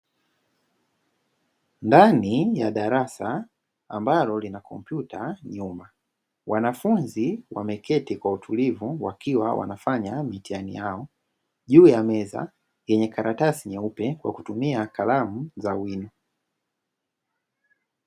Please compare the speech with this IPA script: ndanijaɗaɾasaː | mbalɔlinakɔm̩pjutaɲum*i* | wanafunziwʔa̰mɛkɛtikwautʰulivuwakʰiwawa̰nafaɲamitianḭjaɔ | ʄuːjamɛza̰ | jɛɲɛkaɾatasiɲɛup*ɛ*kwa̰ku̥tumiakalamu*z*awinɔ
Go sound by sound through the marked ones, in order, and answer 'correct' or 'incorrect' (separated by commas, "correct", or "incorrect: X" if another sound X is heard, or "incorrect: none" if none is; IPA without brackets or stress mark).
incorrect: a, correct, correct